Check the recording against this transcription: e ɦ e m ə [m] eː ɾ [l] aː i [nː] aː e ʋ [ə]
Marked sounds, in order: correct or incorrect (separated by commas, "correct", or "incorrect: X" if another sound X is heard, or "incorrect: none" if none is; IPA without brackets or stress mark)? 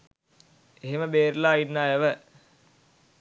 incorrect: b, correct, correct, correct